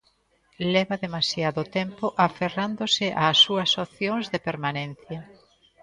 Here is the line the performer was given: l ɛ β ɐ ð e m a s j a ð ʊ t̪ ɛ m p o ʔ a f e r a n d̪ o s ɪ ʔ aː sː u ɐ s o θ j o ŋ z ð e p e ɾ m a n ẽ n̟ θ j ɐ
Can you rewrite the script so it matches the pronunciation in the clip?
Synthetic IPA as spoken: l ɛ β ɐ ð e m a s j a ð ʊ t̪ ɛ m p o ʔ a f e r a n d̪ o s ɪ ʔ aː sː u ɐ s o θ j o ŋ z ð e p e ɾ m a n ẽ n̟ θ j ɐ